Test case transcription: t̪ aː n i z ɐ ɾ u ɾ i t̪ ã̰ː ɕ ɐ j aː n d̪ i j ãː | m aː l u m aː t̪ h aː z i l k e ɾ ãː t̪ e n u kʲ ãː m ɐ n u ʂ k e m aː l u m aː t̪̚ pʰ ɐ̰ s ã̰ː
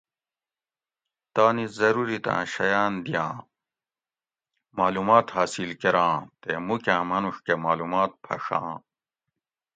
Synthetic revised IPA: t̪ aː n i z ɐ ɾ u ɾ i t̪ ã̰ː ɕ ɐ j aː n d̪ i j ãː | m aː l u m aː t̪ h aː s i l k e ɾ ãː t̪ e m u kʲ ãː m ɐ n u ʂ k e m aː l u m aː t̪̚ pʰ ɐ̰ ʂ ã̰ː